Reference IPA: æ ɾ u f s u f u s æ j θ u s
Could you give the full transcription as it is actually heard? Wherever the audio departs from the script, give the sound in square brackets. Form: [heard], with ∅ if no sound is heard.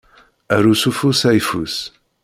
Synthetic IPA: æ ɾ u [∅] s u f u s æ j [f] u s